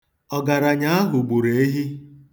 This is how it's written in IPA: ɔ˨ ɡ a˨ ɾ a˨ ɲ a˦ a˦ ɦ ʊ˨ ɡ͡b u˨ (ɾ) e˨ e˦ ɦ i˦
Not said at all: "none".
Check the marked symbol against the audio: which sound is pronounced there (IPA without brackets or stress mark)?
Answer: ɾ